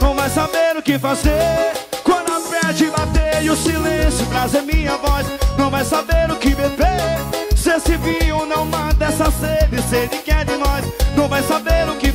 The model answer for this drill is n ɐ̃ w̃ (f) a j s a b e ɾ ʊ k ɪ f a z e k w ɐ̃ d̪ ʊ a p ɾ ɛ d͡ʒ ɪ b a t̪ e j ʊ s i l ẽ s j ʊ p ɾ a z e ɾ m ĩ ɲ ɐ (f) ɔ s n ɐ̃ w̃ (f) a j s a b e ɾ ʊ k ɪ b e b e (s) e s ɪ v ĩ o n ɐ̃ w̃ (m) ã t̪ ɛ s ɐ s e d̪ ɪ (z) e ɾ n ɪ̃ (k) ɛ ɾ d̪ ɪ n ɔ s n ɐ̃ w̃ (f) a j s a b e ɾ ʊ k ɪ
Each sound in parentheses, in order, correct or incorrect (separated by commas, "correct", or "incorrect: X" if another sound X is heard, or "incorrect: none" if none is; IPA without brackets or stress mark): incorrect: v, incorrect: v, incorrect: v, correct, correct, incorrect: s, correct, incorrect: v